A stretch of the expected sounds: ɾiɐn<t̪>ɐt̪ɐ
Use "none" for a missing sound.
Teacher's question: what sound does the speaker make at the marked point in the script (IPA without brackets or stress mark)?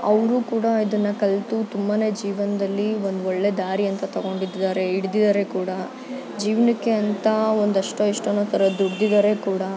t̪